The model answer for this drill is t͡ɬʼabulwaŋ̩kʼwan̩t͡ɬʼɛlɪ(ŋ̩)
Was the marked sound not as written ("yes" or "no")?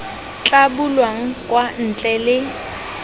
yes